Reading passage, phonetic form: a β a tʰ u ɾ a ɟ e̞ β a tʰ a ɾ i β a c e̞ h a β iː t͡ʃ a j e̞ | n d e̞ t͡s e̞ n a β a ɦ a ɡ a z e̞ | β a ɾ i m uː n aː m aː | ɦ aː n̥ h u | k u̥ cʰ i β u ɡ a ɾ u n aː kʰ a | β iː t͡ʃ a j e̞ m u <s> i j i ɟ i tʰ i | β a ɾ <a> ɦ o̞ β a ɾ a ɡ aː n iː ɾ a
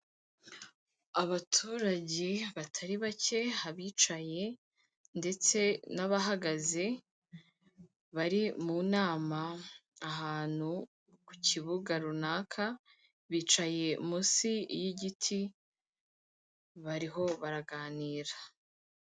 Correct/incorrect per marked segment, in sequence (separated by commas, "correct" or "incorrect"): correct, incorrect